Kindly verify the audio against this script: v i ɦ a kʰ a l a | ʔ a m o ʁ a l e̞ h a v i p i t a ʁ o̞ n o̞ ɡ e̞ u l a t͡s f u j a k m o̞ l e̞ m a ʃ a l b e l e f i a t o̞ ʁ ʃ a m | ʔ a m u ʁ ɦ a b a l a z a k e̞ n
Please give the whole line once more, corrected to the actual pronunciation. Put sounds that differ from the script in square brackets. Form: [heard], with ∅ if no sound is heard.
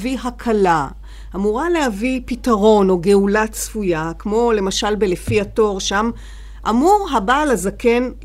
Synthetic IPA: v i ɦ a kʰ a l a | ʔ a m [u] ʁ a l e̞ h a v i p i t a ʁ o̞ n o̞ ɡ e̞ u l a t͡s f u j a k m o̞ l e̞ m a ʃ a l b e l e f i a t o̞ ʁ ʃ a m | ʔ a m u ʁ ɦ a b a l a z a k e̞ n